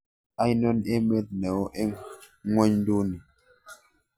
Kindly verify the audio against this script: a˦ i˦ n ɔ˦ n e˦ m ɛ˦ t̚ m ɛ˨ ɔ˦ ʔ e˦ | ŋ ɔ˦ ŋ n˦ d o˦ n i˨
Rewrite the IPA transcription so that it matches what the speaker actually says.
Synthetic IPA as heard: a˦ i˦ n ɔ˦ n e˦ m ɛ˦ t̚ n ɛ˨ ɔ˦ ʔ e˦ | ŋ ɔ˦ ɲ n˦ d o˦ n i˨